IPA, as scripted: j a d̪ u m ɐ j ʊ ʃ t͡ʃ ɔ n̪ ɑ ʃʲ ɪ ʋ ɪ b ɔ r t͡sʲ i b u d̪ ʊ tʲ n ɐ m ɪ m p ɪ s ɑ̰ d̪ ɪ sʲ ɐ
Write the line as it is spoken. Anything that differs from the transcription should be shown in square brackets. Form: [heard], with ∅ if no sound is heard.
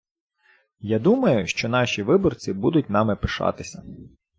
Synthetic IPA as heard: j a d̪ u m ɐ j ʊ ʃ t͡ʃ ɔ n̪ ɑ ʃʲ [i] ʋ ɪ b ɔ r t͡sʲ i b u d̪ ʊ tʲ n [ɑ] m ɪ [∅] p ɪ [ʃ] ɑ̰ [t̪] ɪ sʲ ɐ